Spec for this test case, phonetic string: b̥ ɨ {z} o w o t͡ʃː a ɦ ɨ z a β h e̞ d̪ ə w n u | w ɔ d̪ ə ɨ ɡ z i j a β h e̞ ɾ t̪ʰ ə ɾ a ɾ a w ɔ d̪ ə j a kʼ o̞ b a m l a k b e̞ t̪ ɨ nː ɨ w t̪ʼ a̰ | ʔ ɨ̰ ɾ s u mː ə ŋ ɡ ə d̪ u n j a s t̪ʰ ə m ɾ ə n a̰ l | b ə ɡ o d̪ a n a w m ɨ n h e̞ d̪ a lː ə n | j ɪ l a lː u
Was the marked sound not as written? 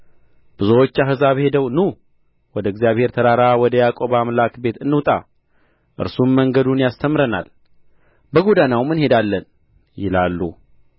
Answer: no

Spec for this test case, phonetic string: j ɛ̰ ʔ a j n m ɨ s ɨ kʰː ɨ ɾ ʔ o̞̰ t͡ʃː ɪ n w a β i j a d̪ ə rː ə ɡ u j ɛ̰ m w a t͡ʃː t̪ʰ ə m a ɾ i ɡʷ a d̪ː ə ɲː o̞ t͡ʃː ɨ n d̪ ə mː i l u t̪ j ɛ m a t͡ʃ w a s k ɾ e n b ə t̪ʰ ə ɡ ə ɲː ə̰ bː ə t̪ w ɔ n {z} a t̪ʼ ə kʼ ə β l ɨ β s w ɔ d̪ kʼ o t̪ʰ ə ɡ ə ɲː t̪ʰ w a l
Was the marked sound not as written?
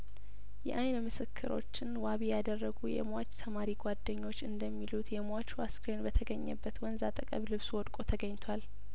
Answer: no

